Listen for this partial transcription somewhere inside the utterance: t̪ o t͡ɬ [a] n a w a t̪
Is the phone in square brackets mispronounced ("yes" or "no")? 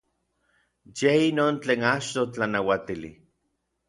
no